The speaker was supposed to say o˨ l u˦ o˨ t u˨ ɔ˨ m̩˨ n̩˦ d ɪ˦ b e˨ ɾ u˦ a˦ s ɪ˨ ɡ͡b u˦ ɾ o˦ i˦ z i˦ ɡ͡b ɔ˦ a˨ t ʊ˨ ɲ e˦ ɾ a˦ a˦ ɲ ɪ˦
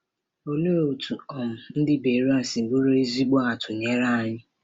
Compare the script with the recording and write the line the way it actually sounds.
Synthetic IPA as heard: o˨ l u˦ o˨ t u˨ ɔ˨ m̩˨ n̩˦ d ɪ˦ b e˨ ɾ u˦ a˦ s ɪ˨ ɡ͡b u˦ ɾ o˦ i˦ z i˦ ɡ͡b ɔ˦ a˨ t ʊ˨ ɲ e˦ ɾ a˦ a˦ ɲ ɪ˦